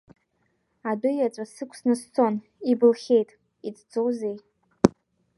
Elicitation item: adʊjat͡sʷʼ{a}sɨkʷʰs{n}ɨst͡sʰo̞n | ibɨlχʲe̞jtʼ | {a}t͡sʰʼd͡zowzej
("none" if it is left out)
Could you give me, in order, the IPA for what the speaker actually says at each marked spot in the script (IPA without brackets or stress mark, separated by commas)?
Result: a, n, i